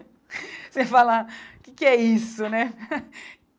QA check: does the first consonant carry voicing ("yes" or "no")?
no